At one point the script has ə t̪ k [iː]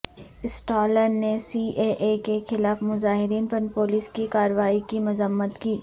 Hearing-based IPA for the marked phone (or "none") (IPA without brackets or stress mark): iː